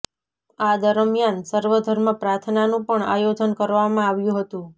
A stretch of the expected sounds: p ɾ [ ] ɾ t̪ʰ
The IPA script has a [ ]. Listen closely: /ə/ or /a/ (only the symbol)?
a